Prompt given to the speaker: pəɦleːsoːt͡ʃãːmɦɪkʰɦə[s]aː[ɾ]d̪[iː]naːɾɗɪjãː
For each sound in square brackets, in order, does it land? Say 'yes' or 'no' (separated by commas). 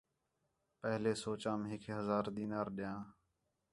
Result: no, yes, yes